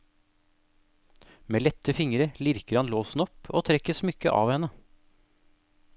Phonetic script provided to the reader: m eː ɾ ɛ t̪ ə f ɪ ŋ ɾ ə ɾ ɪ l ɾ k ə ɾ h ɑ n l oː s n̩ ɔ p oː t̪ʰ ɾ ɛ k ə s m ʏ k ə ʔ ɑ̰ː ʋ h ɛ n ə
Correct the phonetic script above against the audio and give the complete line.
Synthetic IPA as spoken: m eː l ɛ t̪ ə f ɪ ŋ ɾ ə l ɪ ɾ k ə ɾ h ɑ n l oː s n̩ ɔ p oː t̪ʰ ɾ ɛ k ə s m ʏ k ə ʔ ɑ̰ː ʋ h ɛ n ə